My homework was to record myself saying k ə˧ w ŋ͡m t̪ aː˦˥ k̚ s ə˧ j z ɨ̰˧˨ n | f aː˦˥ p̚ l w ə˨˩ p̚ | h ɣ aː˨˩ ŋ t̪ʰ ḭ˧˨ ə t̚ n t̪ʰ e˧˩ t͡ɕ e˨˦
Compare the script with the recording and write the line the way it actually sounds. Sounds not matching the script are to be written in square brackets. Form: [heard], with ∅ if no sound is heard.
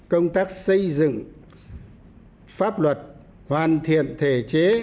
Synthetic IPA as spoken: k ə˧ w ŋ͡m t̪ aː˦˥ k̚ s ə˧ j z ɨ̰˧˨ [ŋ] | f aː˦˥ p̚ l w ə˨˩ [t̚] | h [w] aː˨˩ [n] t̪ʰ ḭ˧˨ ə [∅] n t̪ʰ e˧˩ t͡ɕ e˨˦